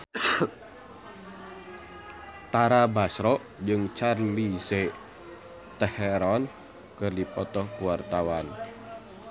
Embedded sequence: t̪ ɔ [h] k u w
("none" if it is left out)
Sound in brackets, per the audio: h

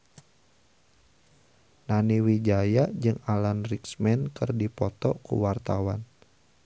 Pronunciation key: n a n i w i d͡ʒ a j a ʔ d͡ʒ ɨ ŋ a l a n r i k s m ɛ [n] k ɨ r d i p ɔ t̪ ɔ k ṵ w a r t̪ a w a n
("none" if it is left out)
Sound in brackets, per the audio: n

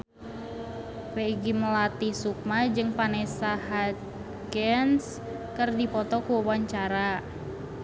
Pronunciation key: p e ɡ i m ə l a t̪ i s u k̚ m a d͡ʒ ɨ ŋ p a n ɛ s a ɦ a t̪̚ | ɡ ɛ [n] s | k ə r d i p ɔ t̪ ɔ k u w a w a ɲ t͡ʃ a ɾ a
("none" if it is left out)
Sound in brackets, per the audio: n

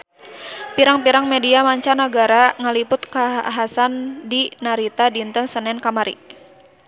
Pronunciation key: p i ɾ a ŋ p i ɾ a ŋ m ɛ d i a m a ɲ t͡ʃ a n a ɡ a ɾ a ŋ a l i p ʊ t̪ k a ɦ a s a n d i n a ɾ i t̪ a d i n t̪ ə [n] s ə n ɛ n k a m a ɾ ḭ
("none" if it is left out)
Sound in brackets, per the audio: ŋ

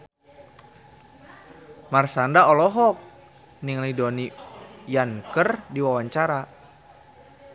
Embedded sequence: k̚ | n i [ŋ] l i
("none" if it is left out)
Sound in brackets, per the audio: ŋ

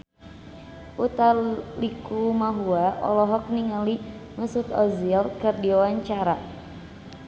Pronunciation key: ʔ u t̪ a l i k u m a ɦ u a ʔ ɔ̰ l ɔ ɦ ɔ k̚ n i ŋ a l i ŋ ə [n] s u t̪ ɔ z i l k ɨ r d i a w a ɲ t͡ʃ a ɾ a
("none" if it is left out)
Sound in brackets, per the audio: none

